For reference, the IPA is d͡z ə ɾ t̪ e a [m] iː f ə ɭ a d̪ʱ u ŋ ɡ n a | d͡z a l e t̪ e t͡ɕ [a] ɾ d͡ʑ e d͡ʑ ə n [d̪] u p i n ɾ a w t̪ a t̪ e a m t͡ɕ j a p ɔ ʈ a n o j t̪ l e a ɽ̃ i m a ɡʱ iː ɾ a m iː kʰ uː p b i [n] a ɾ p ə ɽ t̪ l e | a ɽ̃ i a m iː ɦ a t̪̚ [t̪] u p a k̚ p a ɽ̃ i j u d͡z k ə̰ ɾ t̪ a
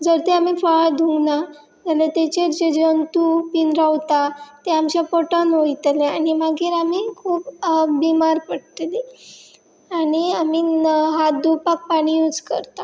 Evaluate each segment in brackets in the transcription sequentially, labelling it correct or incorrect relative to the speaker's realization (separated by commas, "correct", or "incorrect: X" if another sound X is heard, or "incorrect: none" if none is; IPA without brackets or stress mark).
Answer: correct, incorrect: e, incorrect: t̪, incorrect: m, incorrect: d̪